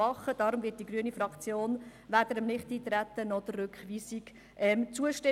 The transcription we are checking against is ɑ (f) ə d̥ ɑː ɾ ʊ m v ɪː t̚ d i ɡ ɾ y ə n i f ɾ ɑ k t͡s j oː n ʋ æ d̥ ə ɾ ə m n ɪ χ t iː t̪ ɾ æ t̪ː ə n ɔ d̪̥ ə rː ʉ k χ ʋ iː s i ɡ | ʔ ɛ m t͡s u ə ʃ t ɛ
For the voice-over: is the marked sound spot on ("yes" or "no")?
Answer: no